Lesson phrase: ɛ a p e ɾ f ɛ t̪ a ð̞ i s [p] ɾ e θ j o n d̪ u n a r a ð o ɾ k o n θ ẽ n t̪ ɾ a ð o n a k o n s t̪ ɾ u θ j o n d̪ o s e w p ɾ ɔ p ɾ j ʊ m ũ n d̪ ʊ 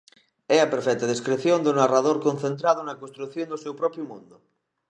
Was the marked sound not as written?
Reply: yes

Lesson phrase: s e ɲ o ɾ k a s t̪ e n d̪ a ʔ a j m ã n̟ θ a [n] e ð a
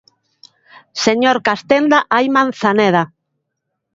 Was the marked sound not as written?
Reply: no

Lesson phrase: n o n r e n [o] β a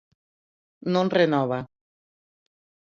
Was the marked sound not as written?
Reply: yes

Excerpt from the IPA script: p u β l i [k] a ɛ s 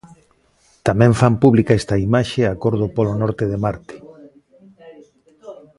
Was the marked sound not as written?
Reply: no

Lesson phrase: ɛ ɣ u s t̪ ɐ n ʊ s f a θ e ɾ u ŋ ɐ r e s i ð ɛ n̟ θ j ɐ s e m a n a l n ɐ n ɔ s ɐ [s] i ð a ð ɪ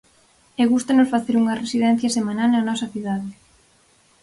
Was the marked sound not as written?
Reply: yes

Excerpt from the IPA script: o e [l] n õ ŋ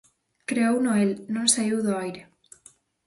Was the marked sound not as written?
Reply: no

